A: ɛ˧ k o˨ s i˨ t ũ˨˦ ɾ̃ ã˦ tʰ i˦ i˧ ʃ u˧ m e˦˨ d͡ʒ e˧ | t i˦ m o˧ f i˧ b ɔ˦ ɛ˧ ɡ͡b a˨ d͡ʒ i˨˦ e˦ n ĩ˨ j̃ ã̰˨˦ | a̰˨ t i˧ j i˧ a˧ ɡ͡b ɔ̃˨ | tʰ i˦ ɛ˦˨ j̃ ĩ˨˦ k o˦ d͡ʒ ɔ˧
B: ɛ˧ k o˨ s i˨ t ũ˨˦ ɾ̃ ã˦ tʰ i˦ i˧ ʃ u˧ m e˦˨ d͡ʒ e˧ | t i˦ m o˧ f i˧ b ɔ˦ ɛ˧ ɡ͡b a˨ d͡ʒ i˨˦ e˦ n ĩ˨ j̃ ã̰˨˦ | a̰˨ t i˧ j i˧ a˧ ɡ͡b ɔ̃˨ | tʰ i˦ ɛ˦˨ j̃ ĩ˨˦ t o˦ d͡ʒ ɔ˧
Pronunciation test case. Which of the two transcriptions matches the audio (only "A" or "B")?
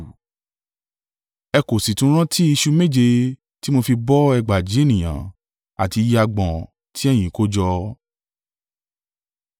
A